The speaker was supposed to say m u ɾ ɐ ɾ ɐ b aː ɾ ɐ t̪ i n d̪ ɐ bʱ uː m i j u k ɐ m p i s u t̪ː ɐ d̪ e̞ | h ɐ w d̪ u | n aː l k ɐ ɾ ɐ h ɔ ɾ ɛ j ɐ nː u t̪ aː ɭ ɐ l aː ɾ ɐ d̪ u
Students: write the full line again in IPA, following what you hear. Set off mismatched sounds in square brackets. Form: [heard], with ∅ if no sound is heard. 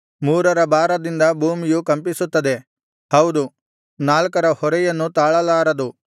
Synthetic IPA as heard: m [uː] ɾ ɐ ɾ ɐ b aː ɾ ɐ [d̪] i n d̪ ɐ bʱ uː m i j u k ɐ m p i s u t̪ː ɐ d̪ e̞ | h ɐ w d̪ u | n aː l k ɐ ɾ ɐ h ɔ ɾ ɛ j ɐ nː u t̪ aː ɭ ɐ l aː ɾ ɐ d̪ u